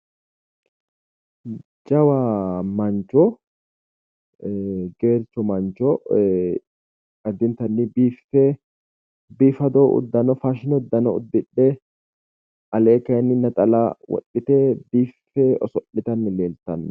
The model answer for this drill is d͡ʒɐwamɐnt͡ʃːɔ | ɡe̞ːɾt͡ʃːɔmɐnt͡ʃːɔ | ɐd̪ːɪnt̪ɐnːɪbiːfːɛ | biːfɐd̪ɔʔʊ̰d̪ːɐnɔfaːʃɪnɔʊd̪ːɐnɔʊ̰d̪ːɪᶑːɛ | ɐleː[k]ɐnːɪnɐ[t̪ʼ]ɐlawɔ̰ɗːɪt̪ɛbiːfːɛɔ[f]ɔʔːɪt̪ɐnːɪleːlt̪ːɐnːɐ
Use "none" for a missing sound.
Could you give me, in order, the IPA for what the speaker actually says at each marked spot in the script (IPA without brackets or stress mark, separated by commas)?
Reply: k, t̪ʼ, s